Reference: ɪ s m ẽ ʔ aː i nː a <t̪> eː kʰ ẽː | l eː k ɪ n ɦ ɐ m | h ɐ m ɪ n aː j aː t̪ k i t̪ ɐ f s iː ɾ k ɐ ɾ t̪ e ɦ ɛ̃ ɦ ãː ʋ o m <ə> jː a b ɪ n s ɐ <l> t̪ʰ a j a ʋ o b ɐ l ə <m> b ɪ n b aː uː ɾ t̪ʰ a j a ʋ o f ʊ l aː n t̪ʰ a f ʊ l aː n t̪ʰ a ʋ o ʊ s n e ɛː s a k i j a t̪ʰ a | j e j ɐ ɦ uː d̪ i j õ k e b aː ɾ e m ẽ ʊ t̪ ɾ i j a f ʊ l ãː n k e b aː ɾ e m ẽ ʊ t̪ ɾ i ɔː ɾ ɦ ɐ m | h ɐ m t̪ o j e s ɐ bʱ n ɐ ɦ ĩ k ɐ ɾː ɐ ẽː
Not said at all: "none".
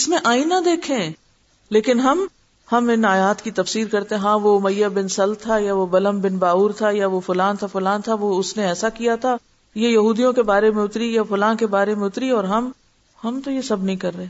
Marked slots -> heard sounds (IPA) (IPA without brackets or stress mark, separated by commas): d̪, ɐ, l, m